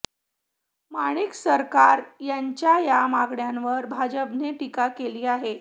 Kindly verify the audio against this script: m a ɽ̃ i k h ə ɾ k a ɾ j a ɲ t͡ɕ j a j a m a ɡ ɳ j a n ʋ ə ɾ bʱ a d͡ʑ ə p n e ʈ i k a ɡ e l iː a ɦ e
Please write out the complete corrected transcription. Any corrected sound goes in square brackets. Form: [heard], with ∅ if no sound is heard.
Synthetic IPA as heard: m a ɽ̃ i k [s] ə ɾ k a ɾ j a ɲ t͡ɕ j a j a m a ɡ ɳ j a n ʋ ə ɾ bʱ a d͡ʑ ə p n e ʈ i k a [k] e l iː a ɦ e